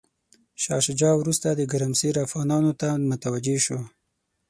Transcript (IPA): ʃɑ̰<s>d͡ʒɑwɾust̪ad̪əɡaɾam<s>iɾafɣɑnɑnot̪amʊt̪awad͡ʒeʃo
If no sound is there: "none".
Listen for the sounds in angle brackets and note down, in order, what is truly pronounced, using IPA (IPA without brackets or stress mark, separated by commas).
ʃ, s